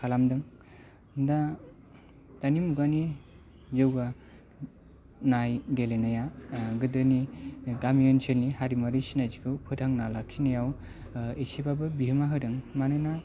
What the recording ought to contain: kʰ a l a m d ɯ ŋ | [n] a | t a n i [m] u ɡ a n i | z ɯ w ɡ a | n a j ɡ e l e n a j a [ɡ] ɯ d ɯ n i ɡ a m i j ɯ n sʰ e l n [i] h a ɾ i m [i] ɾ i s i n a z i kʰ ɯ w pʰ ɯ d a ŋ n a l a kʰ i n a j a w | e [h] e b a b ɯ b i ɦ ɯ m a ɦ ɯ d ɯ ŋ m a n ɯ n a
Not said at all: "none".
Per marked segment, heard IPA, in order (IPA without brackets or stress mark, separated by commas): d, m, ɡ, i, a, s